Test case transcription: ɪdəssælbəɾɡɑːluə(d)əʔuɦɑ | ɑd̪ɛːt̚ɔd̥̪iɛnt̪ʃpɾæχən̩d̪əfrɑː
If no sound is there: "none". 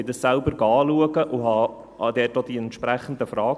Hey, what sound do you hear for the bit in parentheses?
ɡ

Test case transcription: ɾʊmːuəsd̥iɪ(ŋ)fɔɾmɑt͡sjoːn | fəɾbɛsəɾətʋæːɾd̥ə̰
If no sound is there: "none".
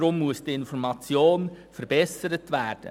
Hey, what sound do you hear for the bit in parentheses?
n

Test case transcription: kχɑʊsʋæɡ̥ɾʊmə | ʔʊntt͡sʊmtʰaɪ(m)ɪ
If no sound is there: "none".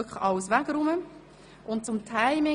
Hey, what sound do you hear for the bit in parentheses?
m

